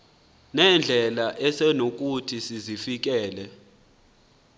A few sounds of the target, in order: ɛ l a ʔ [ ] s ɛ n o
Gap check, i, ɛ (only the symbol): ɛ